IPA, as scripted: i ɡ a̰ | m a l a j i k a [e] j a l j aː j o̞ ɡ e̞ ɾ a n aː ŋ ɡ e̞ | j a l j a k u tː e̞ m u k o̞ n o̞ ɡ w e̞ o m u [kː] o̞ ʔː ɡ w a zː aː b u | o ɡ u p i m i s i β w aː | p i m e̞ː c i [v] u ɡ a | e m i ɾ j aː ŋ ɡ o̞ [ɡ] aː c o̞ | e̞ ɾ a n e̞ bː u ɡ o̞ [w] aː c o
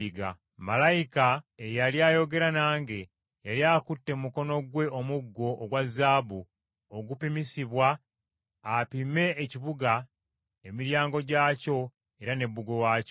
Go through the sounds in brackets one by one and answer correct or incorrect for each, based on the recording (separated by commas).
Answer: correct, incorrect, incorrect, incorrect, correct